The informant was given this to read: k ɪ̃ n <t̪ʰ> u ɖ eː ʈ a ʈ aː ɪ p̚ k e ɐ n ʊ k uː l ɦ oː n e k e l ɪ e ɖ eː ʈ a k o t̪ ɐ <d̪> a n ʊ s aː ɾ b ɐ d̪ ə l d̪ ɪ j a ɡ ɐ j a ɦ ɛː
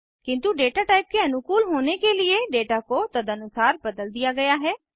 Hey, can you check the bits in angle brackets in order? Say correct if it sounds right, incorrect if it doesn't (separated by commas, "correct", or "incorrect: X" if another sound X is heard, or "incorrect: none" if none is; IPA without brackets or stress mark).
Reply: incorrect: t̪, correct